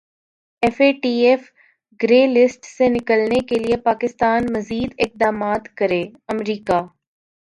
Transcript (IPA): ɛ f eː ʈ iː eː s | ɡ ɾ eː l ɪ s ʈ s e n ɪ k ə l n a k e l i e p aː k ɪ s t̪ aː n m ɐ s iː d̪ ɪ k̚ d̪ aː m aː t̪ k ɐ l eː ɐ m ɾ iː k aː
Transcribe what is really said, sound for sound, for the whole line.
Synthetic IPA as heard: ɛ f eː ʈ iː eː f | ɡ ɾ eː l ɪ s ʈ s e n ɪ k ə l n e k e l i e p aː k ɪ s t̪ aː n m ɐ z iː d̪ ɪ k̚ d̪ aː m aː t̪ k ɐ ɾ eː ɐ m ɾ iː k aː